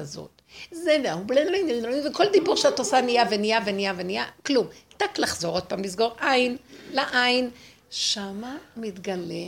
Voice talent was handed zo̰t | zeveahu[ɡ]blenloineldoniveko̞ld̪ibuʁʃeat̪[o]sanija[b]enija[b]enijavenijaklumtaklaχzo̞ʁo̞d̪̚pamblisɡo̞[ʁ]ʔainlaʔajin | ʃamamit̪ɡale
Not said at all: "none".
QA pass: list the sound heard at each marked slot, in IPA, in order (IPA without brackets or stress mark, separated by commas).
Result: none, o, v, v, ʁ